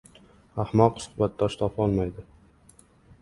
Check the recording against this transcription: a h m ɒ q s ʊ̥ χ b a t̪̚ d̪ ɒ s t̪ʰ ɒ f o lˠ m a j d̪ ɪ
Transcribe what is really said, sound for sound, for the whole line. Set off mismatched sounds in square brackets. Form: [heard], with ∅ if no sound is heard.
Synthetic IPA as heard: a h m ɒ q s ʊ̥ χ b a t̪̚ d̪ ɒ [ʃ] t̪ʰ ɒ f [ɒ] lˠ m a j d̪ ɪ